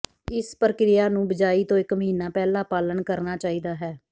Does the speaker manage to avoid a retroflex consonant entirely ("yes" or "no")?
yes